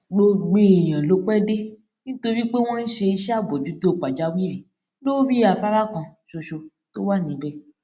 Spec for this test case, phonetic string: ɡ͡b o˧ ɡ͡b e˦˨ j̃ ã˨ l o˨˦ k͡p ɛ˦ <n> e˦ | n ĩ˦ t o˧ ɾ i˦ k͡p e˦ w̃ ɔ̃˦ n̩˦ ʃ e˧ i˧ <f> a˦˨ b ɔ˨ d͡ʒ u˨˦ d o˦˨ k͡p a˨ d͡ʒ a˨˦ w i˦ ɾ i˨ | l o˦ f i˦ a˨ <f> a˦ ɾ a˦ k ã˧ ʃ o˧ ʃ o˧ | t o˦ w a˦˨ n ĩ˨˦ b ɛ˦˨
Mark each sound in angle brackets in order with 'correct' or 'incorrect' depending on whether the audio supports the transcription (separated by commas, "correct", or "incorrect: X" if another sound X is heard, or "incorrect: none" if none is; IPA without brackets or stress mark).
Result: incorrect: d, incorrect: ʃ, correct